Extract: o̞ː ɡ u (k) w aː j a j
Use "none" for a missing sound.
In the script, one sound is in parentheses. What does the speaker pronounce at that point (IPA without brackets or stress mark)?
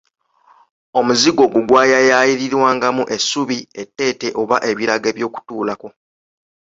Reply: ɡ